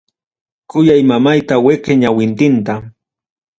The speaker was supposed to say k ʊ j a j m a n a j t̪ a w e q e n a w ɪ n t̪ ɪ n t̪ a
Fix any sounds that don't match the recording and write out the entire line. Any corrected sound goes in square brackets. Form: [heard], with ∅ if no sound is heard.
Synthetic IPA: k ʊ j a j m a [m] a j t̪ a w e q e [ɲ] a w ɪ n t̪ ɪ n t̪ a